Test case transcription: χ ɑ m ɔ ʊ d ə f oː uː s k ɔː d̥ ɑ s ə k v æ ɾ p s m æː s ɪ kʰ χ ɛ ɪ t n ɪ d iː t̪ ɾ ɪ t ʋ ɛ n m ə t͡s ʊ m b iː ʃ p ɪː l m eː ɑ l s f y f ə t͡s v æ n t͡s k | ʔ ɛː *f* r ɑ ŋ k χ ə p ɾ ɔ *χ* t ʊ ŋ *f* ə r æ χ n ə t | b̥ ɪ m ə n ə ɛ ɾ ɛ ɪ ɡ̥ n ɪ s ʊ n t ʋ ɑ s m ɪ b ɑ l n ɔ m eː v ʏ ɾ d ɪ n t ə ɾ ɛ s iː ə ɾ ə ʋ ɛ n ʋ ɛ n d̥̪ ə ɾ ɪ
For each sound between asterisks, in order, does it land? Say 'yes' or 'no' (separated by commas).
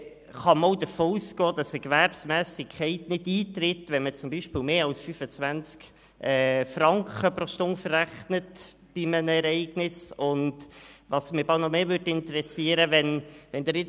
yes, no, yes